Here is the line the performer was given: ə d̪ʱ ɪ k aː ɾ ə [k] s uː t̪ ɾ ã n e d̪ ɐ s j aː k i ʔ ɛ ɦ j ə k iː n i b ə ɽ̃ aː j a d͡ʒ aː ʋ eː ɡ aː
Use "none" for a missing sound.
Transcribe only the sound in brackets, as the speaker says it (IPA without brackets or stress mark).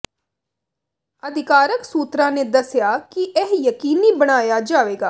k